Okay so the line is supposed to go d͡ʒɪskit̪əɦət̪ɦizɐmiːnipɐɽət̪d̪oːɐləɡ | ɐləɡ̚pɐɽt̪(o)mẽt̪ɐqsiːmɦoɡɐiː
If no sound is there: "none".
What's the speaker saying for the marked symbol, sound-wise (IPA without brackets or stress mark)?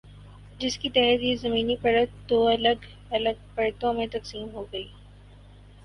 õ